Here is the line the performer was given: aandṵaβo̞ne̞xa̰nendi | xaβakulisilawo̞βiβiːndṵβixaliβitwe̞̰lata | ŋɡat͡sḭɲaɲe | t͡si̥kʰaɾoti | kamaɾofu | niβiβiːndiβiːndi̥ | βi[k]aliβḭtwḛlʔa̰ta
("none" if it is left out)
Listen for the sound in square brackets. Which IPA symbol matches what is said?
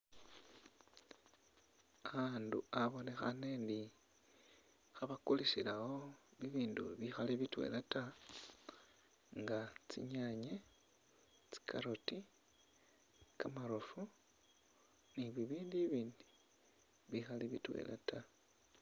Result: x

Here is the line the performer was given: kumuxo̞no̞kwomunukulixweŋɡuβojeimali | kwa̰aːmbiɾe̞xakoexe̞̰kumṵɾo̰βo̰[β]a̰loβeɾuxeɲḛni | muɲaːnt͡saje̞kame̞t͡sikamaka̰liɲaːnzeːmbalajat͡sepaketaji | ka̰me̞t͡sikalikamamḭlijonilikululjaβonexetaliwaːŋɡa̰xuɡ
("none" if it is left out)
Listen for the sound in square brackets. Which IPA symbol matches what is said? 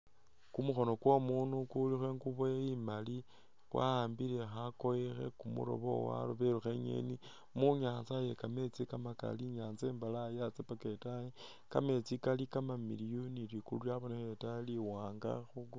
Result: w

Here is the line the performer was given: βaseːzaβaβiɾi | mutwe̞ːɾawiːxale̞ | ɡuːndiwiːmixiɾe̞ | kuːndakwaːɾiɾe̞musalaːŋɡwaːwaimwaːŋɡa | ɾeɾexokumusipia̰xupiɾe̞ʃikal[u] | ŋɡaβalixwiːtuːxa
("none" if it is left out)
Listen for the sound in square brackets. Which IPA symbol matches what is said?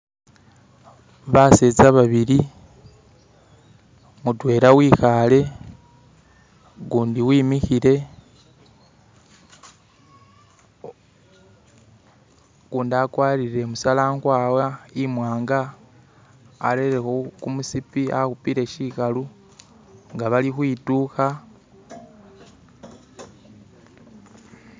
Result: u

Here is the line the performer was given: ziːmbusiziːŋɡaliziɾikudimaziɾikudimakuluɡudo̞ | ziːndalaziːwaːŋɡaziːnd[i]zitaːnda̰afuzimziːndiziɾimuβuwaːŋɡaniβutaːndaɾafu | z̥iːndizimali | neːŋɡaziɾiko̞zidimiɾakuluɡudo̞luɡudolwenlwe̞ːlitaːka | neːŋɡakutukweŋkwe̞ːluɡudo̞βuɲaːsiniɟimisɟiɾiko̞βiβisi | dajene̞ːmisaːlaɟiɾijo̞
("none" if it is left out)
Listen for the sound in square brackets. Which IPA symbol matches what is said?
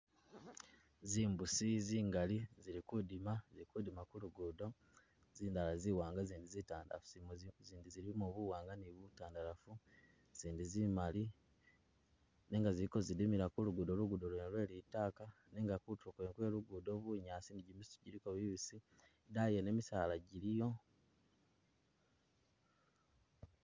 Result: i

